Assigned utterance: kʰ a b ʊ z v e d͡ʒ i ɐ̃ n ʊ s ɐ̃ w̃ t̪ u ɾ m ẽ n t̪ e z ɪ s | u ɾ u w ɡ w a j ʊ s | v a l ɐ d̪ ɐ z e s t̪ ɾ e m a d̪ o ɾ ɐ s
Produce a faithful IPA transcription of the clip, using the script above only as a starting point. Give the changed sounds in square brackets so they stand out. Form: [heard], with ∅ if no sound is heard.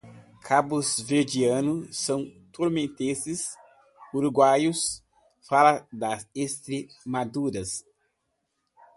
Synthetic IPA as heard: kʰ a b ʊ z v e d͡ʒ i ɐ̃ n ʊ s ɐ̃ w̃ t̪ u ɾ m ẽ n t̪ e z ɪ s | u ɾ u [∅] ɡ w a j ʊ s | [f] a l ɐ d̪ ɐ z e s t̪ ɾ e m a d̪ [u] ɾ ɐ s